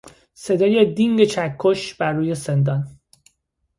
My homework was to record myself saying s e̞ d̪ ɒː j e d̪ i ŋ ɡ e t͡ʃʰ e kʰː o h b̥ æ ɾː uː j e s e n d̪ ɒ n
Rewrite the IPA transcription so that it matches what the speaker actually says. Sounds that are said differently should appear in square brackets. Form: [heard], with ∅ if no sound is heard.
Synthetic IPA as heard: s e̞ d̪ ɒː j e d̪ i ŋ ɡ e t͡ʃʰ [æ] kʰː o [ʃ] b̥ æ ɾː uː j e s e n d̪ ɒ n